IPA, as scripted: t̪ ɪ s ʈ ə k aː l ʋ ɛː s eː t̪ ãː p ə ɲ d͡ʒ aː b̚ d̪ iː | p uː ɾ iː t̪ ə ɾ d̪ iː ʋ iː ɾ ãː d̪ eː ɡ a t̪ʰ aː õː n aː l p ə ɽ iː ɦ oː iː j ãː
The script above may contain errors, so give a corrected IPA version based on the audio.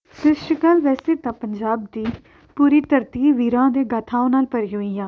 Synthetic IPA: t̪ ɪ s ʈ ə k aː l ʋ ɛː s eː t̪ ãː p ə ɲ d͡ʒ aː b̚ d̪ iː | p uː ɾ iː t̪ ə ɾ t̪ iː ʋ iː ɾ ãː d̪ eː ɡ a t̪ʰ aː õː n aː l p ə ɾ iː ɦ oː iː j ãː

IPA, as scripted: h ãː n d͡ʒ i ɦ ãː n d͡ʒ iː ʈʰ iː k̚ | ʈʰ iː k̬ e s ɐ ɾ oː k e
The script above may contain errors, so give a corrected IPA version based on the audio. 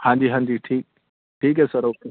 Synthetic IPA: h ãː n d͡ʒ i ɦ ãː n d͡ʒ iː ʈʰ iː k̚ | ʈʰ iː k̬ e s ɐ ɾ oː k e

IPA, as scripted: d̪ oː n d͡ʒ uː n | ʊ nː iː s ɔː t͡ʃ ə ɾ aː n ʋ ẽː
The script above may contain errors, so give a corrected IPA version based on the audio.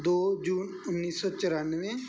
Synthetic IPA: d̪ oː d͡ʒ uː n | ʊ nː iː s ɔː t͡ʃ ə ɾ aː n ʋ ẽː

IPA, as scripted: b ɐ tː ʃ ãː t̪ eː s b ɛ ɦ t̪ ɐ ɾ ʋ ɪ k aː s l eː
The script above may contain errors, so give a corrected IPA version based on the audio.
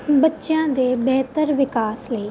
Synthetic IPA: b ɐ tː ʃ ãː d̪ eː b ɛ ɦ t̪ ə ɾ ʋ ɪ k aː s l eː

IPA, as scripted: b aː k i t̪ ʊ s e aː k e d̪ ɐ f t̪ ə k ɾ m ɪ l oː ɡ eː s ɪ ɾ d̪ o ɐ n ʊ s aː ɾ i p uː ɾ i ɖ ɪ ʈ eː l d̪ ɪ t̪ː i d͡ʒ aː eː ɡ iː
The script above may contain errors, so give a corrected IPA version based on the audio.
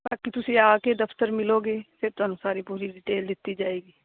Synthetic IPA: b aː k i t̪ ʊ s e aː k e d̪ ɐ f t̪ ə ɾ m ɪ l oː ɡ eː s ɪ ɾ t̪ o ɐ n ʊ s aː ɾ i p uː ɾ i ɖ ɪ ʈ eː l d̪ ɪ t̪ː i d͡ʒ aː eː ɡ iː

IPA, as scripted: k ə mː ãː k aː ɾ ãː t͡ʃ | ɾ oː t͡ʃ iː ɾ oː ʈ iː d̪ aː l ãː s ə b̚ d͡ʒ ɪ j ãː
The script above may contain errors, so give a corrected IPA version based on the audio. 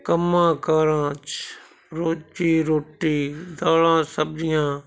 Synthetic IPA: k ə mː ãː k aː ɾ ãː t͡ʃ | ɾ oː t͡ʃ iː ɾ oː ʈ iː d̪ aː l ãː s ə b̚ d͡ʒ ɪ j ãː

